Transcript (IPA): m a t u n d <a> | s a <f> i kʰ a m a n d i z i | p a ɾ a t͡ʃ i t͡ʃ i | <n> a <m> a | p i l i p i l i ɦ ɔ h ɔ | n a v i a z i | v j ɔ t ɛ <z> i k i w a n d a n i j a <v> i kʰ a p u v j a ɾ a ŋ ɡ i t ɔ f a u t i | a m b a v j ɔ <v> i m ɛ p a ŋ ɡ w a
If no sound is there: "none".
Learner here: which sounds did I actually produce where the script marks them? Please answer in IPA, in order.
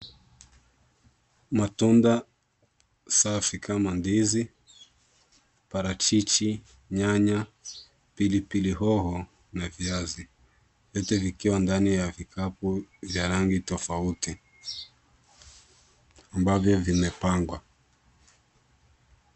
a, f, ɲ, ɲ, v, v, v

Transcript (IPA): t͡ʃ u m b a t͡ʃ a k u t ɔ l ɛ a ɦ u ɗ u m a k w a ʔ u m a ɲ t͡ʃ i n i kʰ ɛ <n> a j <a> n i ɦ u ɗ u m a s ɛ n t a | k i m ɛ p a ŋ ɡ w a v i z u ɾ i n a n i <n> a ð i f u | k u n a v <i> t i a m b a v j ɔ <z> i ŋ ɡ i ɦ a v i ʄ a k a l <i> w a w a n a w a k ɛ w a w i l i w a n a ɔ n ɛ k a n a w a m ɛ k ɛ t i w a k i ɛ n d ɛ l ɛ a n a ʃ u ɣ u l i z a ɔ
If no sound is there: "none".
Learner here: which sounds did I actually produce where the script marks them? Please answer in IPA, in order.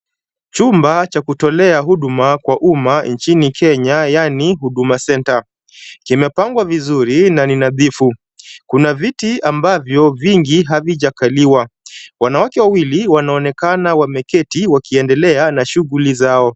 ɲ, a, n, i, v, i

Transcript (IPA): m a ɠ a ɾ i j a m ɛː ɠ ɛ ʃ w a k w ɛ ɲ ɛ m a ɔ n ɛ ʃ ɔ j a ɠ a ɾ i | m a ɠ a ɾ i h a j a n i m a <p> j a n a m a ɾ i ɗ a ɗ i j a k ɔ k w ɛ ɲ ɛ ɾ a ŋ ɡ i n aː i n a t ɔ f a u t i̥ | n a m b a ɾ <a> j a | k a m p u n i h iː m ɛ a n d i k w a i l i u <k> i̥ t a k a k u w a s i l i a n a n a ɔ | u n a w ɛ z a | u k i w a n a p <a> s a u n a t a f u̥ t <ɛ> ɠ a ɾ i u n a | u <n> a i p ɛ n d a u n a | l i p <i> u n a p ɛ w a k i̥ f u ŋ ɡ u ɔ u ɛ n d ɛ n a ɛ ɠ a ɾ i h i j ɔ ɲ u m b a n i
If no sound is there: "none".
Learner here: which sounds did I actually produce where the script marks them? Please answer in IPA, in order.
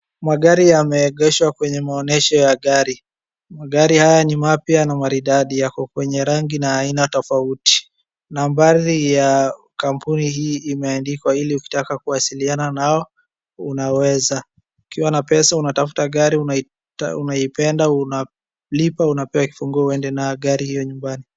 p, i, k, ɛ, a, n, a

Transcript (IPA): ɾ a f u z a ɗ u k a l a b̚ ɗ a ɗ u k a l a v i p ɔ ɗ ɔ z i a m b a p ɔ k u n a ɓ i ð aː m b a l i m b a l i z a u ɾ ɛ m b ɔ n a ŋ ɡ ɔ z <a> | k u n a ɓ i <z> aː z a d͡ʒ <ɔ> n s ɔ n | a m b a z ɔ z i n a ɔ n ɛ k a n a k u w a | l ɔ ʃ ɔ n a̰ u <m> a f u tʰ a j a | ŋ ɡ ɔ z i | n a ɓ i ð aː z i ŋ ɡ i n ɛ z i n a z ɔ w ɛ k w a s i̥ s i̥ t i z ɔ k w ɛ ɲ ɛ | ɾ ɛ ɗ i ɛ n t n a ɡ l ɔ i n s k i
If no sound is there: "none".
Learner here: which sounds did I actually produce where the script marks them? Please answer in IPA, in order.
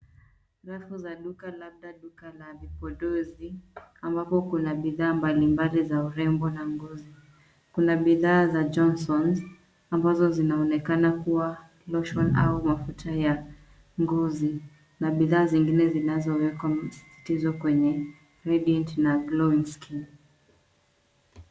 i, ð, ɔ, m

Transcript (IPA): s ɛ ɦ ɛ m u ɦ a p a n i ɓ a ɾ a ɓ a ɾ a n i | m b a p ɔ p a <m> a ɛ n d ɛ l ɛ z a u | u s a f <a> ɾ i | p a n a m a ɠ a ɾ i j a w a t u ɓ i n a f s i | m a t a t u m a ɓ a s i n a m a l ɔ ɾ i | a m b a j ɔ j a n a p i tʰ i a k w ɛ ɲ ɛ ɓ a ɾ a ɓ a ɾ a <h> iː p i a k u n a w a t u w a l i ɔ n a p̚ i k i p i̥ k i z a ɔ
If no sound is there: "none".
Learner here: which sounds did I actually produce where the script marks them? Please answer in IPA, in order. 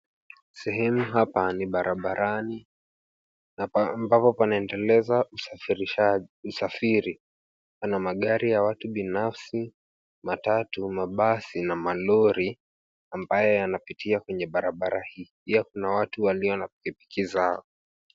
n, i, h

